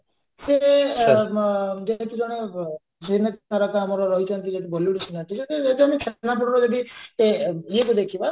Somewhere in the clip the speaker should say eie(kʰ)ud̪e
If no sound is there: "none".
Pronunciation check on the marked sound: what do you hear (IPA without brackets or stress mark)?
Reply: k